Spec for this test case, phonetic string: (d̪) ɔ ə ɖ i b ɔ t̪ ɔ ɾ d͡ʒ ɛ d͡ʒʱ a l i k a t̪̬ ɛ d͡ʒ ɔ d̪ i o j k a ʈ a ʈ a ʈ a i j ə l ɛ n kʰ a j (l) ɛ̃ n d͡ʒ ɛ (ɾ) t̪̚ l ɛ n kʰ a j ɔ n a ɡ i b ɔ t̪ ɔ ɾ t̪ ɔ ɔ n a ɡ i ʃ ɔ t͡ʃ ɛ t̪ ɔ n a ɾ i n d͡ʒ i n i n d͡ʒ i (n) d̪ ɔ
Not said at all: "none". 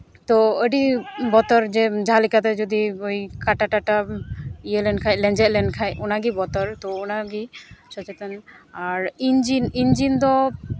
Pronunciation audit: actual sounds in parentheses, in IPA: t̪, l, none, n

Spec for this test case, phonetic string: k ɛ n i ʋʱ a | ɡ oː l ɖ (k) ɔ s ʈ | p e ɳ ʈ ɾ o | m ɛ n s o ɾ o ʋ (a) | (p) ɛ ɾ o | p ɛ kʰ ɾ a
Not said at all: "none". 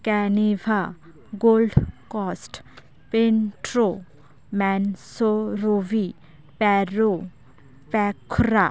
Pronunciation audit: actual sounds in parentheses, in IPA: k, i, p

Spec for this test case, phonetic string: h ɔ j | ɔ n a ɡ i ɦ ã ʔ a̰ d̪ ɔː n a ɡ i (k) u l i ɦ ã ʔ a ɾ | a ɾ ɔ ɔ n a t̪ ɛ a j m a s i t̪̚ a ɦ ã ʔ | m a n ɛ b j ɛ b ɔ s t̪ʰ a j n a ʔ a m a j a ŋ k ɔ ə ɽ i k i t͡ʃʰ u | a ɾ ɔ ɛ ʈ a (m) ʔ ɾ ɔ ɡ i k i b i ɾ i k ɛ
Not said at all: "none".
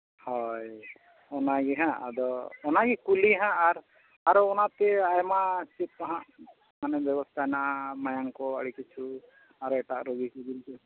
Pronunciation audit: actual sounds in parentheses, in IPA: k, none

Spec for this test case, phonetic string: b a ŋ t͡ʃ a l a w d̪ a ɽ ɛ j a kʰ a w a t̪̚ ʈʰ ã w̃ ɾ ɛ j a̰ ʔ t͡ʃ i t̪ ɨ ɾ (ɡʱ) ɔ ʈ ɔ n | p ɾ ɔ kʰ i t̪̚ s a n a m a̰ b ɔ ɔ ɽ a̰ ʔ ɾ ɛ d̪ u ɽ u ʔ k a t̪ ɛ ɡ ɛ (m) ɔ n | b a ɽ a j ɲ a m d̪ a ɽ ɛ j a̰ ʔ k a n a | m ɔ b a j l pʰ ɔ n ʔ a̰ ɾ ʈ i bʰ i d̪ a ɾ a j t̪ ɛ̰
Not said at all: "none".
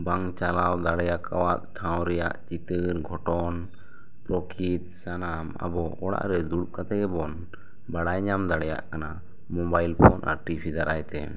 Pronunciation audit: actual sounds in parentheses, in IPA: ɡʱ, b

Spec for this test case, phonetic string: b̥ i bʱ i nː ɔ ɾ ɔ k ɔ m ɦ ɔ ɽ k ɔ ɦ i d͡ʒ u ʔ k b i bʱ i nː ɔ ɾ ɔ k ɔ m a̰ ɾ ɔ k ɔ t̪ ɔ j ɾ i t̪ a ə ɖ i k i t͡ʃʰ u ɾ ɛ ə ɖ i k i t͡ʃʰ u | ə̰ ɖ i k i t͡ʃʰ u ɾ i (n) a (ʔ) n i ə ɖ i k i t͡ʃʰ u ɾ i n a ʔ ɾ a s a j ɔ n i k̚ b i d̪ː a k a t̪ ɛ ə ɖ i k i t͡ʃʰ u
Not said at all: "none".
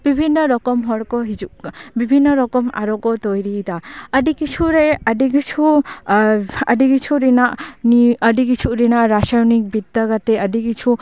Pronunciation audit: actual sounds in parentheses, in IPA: n, ʔ

